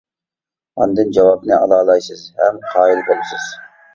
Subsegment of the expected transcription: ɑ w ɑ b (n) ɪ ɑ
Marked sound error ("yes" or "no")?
no